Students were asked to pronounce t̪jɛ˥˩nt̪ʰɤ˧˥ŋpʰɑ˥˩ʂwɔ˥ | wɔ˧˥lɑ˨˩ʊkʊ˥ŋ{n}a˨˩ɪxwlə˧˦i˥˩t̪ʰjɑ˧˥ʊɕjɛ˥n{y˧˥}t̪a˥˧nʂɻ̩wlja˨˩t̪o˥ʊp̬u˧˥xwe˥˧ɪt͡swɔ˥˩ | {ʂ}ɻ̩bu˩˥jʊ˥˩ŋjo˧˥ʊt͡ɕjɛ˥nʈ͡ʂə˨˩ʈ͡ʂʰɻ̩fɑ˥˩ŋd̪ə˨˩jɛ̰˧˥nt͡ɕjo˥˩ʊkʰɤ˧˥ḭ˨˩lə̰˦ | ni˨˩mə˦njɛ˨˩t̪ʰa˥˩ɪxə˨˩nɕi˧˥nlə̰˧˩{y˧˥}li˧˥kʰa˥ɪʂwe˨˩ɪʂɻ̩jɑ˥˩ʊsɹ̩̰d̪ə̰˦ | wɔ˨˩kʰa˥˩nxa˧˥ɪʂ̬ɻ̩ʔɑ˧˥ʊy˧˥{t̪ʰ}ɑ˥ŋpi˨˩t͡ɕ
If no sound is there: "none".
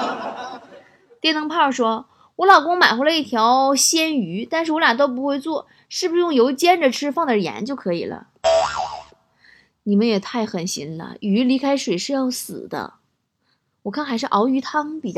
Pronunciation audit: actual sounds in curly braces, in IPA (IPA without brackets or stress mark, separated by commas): m, y˧˥, ʂ, y˧˥, t̪ʰ